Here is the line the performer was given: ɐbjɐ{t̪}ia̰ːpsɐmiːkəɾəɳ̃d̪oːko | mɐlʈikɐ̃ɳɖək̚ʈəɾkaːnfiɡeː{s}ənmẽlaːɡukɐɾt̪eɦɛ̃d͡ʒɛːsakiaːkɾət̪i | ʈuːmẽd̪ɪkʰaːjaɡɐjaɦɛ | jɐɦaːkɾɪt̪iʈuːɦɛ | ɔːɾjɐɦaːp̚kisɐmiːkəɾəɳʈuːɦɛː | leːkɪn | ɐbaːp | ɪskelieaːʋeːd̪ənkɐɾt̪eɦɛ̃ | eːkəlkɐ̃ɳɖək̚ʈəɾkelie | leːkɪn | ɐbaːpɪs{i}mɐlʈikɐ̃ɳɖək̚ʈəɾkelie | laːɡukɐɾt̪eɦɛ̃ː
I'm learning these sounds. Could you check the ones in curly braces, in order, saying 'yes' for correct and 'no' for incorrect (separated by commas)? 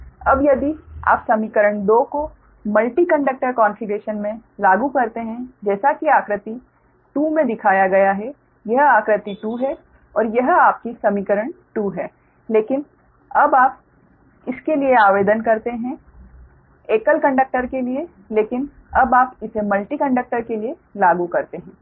no, no, no